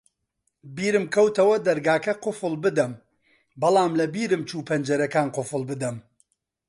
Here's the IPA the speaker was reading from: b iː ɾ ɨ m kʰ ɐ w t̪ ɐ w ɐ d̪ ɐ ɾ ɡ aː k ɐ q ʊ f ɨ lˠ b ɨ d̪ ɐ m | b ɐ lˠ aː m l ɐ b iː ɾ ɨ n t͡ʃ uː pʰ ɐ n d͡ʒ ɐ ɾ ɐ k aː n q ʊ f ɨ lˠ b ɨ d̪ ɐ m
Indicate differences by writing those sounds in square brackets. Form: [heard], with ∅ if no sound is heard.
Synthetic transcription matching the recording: b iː ɾ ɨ m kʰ ɐ w t̪ ɐ w ɐ d̪ ɐ ɾ ɡ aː k ɐ q ʊ f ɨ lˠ b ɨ d̪ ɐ m | b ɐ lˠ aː m l ɐ b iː ɾ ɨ [m] t͡ʃ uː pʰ ɐ n d͡ʒ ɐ ɾ ɐ k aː n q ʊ f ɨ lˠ b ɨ d̪ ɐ m